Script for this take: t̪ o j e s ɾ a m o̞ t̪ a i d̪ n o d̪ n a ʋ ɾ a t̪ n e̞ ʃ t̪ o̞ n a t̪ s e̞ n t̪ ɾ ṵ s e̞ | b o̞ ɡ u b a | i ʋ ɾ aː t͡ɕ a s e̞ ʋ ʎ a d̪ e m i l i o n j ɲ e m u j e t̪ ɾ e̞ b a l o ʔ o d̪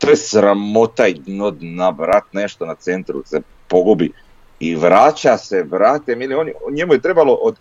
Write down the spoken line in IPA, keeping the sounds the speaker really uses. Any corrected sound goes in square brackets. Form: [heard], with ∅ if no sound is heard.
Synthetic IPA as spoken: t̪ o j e s ɾ a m o̞ t̪ a i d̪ n o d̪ n a ʋ ɾ a t̪ n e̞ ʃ t̪ o̞ n a t̪ s e̞ n t̪ ɾ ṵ s e̞ | [p] o̞ ɡ u b [i] | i ʋ ɾ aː t͡ɕ a s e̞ ʋ [ɾ] a [t̪] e m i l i o n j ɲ e m u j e t̪ ɾ e̞ b a l o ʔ o d̪